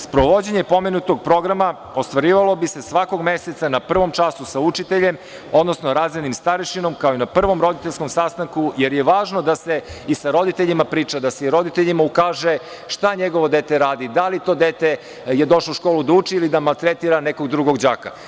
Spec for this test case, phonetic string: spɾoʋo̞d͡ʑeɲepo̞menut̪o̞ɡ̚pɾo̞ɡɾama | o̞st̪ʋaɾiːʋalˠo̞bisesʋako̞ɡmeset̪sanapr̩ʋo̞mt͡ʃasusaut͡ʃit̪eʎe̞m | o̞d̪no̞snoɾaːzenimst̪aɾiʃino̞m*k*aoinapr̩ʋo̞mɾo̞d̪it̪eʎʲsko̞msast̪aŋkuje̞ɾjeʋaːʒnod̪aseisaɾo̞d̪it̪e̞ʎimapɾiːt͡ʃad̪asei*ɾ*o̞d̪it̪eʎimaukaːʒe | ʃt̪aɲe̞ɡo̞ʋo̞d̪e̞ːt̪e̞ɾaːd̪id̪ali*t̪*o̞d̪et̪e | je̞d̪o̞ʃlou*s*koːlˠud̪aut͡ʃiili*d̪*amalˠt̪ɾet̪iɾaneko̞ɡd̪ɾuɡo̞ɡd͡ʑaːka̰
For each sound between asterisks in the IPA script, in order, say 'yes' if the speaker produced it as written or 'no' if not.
yes, yes, yes, no, yes

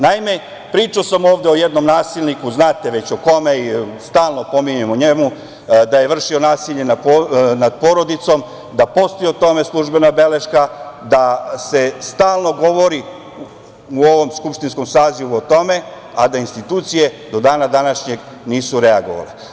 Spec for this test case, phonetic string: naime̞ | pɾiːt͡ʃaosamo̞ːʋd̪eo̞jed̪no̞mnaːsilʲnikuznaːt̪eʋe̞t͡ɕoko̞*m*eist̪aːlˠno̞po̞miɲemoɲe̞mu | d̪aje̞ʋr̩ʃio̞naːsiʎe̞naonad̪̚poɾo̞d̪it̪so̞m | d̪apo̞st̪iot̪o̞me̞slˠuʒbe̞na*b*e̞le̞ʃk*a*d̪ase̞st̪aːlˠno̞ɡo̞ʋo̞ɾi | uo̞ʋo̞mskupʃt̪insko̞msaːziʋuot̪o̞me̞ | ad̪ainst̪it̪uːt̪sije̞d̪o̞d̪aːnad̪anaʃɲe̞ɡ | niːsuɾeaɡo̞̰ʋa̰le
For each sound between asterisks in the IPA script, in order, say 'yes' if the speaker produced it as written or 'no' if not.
yes, yes, yes

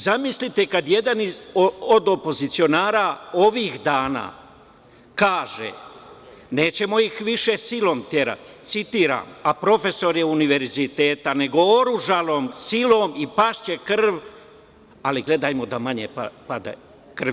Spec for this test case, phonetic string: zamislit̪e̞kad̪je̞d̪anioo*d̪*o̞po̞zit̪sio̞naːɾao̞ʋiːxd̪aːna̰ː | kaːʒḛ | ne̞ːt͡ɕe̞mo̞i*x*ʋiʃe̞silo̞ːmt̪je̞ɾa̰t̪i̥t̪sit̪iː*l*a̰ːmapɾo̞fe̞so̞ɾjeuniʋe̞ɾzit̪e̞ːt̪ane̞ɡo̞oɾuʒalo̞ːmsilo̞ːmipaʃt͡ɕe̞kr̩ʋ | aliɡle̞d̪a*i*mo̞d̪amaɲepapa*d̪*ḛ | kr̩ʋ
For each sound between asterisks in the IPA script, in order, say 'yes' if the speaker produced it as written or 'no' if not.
yes, yes, no, no, yes

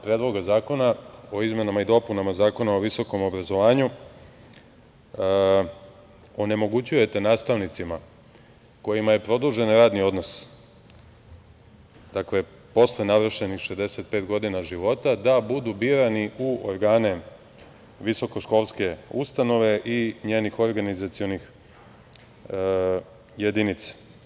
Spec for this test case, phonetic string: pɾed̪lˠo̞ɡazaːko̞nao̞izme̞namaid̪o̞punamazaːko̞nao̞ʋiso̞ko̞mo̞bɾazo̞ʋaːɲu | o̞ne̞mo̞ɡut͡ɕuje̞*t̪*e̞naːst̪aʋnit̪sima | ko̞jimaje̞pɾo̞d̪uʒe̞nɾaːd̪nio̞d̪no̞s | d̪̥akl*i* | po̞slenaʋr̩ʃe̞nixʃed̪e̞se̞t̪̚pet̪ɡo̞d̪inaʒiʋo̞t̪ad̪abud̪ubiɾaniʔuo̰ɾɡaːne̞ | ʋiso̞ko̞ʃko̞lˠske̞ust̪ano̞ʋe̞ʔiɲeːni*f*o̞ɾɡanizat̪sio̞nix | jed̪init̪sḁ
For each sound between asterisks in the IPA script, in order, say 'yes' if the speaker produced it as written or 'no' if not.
yes, no, no

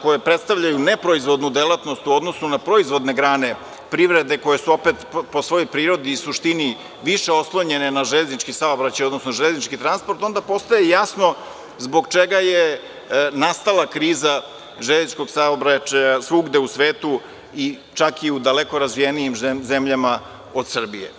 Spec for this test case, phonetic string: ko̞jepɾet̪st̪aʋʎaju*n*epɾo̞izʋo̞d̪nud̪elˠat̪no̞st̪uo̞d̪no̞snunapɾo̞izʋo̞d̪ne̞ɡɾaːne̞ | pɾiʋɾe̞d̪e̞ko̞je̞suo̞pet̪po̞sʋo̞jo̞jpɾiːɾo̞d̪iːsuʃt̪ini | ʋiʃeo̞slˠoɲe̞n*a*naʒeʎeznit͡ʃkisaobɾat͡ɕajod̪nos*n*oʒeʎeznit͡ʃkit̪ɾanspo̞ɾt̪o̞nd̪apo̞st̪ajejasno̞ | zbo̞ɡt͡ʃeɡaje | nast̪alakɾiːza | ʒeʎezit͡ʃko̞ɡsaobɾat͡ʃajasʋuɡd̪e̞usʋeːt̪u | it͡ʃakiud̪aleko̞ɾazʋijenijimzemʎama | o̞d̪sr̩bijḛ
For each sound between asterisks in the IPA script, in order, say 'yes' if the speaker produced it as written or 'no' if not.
yes, no, yes

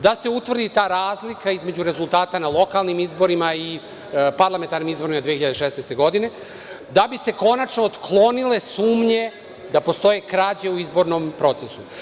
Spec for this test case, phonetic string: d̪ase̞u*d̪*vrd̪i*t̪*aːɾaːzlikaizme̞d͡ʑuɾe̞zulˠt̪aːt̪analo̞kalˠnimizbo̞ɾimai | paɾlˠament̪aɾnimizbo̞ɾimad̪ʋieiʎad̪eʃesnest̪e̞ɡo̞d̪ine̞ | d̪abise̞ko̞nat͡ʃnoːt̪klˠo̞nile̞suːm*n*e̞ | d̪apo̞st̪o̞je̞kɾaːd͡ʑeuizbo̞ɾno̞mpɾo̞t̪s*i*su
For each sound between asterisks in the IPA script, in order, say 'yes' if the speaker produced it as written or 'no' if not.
no, yes, no, no

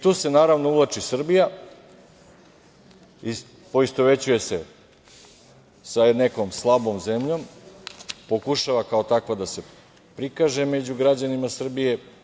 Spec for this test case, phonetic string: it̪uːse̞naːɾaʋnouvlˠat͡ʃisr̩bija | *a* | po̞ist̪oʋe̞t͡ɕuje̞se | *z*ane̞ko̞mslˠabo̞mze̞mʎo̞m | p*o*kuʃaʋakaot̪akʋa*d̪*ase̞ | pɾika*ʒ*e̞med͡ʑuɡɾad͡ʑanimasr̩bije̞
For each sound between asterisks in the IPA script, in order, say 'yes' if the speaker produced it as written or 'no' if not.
no, no, yes, yes, yes

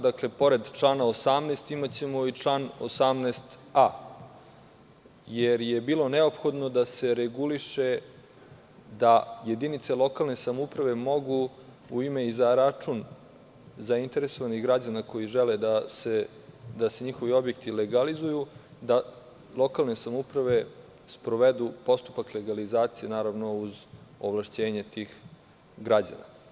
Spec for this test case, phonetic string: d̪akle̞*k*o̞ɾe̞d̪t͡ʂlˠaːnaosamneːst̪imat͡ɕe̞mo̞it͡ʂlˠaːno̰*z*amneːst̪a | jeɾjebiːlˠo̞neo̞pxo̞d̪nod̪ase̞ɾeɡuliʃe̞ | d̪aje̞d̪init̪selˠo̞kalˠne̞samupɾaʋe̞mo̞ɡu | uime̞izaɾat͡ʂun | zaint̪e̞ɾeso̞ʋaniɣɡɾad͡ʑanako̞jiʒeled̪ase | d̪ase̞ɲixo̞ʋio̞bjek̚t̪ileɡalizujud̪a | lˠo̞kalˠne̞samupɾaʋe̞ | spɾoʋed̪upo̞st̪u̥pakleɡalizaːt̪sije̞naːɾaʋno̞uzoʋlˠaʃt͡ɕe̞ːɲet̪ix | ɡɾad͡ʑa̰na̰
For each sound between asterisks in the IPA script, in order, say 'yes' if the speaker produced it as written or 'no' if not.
no, no

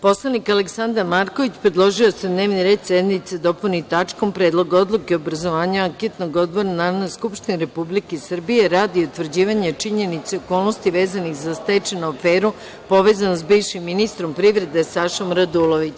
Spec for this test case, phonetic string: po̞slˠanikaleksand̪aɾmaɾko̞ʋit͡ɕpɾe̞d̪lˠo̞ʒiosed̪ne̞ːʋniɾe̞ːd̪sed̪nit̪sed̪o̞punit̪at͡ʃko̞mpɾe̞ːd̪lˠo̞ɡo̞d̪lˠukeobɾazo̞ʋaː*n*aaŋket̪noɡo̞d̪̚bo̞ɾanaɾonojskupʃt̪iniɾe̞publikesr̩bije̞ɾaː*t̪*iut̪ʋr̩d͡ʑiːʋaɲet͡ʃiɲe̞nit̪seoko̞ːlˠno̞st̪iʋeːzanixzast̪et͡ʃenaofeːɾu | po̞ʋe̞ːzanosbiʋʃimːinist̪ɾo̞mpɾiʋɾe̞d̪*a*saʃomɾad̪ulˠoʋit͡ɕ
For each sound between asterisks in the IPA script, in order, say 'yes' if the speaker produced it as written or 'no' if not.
no, no, no

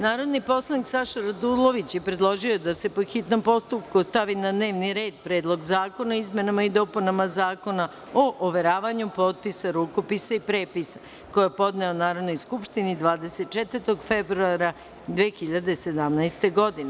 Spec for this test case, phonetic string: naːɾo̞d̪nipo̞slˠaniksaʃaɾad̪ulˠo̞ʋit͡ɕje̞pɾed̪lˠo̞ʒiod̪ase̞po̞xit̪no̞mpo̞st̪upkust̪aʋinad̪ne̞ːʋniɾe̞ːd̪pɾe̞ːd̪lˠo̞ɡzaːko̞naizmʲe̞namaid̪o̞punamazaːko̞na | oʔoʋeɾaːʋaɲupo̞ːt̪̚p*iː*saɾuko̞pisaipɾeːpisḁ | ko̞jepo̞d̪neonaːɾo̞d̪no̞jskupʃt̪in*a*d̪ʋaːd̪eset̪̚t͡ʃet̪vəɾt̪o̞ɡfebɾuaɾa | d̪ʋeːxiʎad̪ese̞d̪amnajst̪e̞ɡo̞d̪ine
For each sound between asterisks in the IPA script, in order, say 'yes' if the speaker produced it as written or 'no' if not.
no, no

